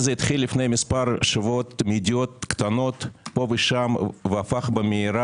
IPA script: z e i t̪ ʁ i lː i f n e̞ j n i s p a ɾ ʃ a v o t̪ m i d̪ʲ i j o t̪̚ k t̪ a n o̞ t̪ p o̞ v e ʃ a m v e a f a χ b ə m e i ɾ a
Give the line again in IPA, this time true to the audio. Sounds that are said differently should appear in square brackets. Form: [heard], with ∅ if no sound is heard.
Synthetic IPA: z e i t̪ [χ] i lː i f n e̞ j [m] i s p a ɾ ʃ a v o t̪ m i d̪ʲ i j o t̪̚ k t̪ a n o̞ t̪ p o̞ v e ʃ a m v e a f a χ b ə m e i ɾ a

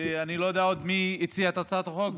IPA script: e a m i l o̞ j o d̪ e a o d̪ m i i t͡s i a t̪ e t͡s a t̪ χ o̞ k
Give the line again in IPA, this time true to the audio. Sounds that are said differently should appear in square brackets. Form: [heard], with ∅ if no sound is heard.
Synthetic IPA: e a [n] i l o̞ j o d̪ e a o d̪ m i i t͡s i a t̪ [a] t͡s a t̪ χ o̞ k

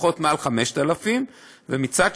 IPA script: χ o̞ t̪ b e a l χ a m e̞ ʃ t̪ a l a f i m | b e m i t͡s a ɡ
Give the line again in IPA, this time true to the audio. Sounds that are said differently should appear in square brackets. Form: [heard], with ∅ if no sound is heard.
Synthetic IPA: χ o̞ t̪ [m] e a l χ a m e̞ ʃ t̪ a l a f i m | [v] e m i t͡s a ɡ

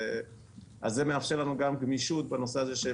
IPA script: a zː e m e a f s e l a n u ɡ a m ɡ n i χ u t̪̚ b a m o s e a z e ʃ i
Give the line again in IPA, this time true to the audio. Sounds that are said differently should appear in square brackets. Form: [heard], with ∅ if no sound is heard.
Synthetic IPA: a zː e m e a f [ʃ] e l a n u ɡ a m ɡ [m] i [ʃ] u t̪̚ b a [n] o s e a z e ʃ [e]

